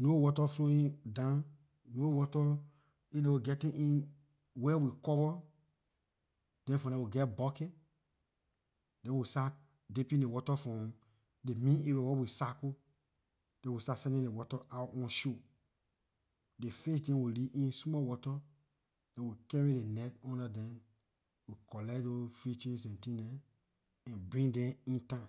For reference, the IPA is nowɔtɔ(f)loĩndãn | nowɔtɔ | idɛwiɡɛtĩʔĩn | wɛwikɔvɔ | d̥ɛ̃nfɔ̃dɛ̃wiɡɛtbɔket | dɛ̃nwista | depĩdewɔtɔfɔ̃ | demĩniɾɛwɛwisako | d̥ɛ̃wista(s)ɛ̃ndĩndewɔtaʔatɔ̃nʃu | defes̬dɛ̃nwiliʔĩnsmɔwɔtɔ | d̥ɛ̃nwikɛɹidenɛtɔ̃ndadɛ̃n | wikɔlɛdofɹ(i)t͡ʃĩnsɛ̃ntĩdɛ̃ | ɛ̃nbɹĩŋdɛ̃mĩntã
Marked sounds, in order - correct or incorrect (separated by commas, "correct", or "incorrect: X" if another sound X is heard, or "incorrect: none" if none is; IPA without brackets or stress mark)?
correct, correct, correct